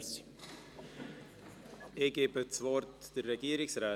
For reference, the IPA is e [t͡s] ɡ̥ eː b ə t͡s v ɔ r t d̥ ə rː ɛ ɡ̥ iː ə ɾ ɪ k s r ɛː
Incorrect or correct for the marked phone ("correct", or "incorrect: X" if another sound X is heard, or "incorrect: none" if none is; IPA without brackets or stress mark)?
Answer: incorrect: none